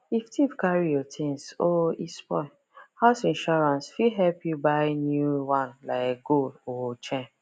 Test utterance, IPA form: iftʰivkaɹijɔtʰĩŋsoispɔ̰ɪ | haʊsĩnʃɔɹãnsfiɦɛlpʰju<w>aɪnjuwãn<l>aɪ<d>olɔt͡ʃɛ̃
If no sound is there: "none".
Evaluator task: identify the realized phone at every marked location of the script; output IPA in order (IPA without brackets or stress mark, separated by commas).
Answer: b, l, ɡ